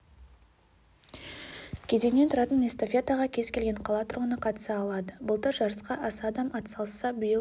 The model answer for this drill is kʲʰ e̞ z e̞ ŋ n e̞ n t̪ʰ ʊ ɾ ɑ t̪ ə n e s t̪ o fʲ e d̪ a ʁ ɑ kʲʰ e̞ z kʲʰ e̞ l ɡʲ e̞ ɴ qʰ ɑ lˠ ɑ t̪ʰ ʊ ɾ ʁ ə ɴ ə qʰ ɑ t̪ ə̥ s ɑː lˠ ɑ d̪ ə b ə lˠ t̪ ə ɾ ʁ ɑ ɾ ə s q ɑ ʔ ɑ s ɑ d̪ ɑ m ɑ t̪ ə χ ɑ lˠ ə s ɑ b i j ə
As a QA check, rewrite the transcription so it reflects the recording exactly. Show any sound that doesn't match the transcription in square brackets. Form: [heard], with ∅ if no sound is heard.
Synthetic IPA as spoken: kʲʰ e̞ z e̞ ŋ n e̞ n t̪ʰ ʊ ɾ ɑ t̪ ə n e s t̪ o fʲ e [t̪] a ʁ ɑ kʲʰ e̞ z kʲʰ e̞ l ɡʲ e̞ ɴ qʰ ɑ lˠ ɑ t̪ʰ ʊ ɾ ʁ ə [n] ə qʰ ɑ t̪ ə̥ s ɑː lˠ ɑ d̪ ə b ə lˠ t̪ ə ɾ [ʒ] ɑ ɾ ə s q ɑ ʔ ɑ s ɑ d̪ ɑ m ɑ t̪ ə [s] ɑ lˠ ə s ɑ b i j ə